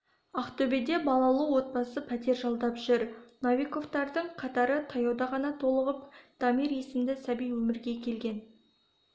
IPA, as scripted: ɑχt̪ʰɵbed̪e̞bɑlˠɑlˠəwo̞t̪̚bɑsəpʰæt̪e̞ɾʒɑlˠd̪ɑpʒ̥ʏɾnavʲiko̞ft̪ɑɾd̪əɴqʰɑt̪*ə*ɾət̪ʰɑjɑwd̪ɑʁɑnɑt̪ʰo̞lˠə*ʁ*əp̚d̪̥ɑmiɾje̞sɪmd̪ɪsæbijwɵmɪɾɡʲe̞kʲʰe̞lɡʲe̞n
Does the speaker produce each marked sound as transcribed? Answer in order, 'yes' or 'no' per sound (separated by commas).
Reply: no, yes